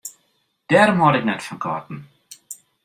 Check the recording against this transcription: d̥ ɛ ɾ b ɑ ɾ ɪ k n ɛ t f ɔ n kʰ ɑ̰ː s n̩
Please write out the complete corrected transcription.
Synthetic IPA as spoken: d̥ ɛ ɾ m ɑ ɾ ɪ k n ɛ t f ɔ n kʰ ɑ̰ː t n̩